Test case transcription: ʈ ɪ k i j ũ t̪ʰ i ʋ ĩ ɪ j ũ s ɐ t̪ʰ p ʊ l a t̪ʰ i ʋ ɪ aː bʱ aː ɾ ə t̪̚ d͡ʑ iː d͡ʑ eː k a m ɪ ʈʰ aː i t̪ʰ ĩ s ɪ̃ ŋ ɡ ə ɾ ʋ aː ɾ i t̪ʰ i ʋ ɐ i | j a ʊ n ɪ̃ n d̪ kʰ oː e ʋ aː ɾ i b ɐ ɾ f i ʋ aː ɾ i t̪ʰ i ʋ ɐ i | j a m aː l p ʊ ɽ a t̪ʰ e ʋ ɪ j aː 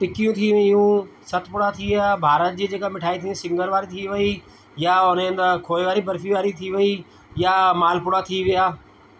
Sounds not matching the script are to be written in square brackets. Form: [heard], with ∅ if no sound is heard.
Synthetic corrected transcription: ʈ ɪ k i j ũ t̪ʰ i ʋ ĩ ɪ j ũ s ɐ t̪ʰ p ʊ [ɽ] a t̪ʰ i ʋ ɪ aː bʱ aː ɾ ə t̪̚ d͡ʑ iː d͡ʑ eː k a m ɪ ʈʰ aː i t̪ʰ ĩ s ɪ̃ ŋ ɡ ə ɾ ʋ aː ɾ i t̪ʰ i ʋ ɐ i | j a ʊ n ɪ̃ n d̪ kʰ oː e ʋ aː ɾ i b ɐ ɾ f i ʋ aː ɾ i t̪ʰ i ʋ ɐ i | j a m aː l p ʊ ɽ a t̪ʰ [i] ʋ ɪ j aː